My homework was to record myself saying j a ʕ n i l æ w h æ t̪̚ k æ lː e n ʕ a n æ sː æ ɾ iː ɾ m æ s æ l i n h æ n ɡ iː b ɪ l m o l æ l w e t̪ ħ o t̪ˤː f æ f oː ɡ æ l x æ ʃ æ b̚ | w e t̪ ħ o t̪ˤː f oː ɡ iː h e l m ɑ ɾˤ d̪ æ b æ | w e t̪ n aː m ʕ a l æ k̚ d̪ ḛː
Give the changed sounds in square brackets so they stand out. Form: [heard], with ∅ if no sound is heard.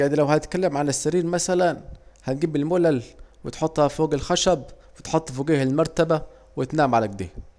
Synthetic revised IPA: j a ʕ n i l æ w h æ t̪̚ k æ lː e [m] ʕ a n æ sː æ ɾ iː ɾ m æ s æ l [æ] n h æ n ɡ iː b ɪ l m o l æ l w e t̪ ħ o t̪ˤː [h] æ f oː ɡ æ l x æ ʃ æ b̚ | w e t̪ ħ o t̪ˤː f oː ɡ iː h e l m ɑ ɾˤ [t̪] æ b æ | w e t̪ n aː m ʕ a l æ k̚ d̪ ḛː